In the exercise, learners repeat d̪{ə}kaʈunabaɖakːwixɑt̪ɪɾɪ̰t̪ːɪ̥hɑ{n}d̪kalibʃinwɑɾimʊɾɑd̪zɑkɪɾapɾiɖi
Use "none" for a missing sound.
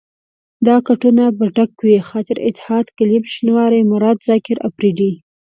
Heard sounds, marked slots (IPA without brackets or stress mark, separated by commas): ɑ, none